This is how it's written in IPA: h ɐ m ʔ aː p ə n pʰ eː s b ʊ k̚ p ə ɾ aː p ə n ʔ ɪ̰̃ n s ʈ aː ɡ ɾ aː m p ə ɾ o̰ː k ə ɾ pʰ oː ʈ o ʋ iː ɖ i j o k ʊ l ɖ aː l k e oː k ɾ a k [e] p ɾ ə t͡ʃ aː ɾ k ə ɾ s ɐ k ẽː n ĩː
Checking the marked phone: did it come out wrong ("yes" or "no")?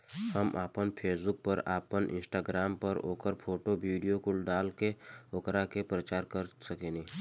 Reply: no